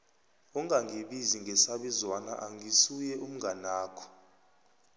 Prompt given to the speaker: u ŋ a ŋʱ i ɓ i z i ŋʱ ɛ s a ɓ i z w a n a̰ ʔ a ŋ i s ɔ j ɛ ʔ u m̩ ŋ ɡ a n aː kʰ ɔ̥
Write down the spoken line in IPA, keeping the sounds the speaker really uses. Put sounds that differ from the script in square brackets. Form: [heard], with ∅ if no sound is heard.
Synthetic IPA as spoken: u ŋ a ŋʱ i ɓ i z i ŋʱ ɛ s a ɓ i z w a n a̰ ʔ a ŋ i s [u] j ɛ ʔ u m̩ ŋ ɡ a n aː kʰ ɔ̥

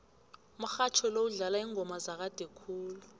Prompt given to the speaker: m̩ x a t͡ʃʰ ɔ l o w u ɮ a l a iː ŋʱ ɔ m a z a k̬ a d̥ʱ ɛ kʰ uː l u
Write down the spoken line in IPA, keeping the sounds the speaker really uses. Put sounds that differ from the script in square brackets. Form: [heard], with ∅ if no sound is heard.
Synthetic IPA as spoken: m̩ x a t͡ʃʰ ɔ l o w u ɮ a l a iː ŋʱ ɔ m a z a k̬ a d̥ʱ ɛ kʰ uː l u

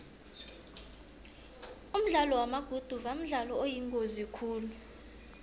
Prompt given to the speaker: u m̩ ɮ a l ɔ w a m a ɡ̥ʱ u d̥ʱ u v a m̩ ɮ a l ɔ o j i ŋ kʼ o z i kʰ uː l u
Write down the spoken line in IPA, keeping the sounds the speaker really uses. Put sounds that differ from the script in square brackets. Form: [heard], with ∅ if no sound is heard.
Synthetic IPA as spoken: u m̩ ɮ a l ɔ w a m a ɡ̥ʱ u d̥ʱ u v a m̩ ɮ a l ɔ o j i ŋ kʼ o z i kʰ uː l u

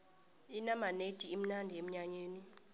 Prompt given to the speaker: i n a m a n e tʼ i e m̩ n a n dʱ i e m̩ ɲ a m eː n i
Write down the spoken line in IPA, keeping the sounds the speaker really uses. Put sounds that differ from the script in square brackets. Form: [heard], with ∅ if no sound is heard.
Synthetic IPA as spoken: i n a m a n e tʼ i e m̩ n a n dʱ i e m̩ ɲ a [ɲ] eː n i

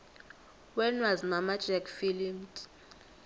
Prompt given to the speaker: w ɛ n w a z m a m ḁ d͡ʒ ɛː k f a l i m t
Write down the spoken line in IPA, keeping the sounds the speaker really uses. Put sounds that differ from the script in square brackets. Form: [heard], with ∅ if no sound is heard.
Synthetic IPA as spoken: w ɛ n w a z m a m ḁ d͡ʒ [ɛ] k f [i] l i m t

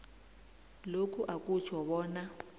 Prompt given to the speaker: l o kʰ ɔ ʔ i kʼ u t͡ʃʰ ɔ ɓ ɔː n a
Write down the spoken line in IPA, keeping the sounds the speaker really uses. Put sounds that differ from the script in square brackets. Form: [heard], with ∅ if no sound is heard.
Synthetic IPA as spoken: l o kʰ [u] ʔ [a] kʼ u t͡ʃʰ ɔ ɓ ɔː n a

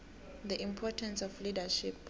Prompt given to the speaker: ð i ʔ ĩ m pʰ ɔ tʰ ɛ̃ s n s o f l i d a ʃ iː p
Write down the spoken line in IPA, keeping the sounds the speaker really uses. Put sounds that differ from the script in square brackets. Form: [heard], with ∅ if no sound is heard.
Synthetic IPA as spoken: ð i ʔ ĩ m pʰ ɔ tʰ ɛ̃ [∅] n s [ɔ] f l i d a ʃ [i] p

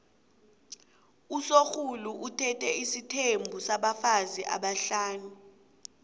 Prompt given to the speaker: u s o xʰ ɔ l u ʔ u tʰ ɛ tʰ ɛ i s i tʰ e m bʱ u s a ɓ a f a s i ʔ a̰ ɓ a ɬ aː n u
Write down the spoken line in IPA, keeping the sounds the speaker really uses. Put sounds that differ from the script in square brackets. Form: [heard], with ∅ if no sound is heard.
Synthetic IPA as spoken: u s o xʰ [u] l u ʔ u tʰ ɛ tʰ ɛ i s i tʰ e m bʱ u s a ɓ a f a [z] i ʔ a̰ ɓ a ɬ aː n u

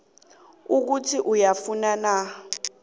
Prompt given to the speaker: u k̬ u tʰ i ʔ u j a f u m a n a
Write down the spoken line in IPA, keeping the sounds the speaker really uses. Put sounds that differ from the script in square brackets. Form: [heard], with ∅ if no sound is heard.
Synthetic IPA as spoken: u k̬ u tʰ i ʔ u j a f u [n] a n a

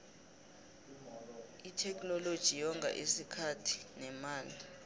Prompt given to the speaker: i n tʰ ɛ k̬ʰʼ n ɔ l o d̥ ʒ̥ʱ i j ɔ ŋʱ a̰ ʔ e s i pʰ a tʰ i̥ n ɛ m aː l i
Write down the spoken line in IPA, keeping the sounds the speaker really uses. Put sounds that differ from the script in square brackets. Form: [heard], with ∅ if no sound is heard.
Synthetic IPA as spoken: i [∅] tʰ ɛ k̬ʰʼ n ɔ l o d̥ ʒ̥ʱ i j ɔ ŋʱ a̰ ʔ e s i [kʰ] a tʰ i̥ n ɛ m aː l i

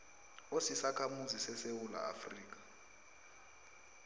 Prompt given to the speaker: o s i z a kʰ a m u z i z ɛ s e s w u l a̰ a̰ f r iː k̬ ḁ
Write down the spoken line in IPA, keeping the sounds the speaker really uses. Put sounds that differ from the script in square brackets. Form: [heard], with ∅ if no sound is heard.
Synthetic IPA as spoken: o s i [s] a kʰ a m u z i [s] ɛ s e [∅] w u l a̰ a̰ f r iː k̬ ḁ

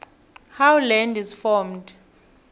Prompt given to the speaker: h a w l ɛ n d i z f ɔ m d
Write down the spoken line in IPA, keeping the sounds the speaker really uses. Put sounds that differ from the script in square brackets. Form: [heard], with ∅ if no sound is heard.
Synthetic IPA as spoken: h a w l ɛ n d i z f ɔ m d

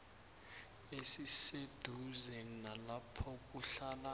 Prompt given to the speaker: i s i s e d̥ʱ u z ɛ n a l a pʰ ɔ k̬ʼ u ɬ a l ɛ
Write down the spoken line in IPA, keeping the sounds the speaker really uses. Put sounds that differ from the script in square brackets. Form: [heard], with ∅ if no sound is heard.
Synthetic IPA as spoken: [e] s i s e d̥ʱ u z ɛ n a l a pʰ ɔ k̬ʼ u ɬ a l [a]

